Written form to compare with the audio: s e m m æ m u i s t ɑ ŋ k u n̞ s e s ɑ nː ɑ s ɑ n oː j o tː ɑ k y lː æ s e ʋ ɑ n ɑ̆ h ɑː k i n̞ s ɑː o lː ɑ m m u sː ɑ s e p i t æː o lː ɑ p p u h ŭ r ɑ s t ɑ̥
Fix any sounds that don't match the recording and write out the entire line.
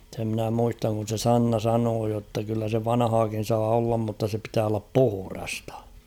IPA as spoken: s e m n æ m u i s t ɑ ŋ k u n̞ s e s ɑ nː ɑ s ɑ n oː j o tː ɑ k y lː æ s e ʋ ɑ n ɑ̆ h ɑː k i n̞ s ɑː o lː ɑ m m u tː ɑ s e p i t æː o lː ɑ p p u h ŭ r ɑ s t ɑ̥